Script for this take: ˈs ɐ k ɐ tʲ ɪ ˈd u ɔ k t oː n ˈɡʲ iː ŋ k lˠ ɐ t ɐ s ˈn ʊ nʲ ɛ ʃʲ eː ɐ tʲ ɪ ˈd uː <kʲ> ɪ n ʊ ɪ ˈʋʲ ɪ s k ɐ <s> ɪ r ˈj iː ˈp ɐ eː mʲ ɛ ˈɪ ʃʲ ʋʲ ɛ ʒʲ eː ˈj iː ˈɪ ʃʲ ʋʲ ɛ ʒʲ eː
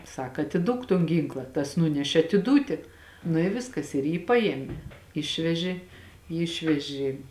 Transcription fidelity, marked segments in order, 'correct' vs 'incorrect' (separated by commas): incorrect, correct